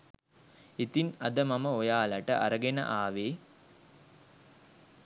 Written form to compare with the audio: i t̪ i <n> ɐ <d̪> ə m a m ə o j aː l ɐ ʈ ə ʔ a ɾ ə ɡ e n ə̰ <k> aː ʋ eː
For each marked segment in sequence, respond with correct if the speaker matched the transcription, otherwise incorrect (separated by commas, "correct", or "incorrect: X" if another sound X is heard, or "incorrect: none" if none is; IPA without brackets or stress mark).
correct, correct, incorrect: ʔ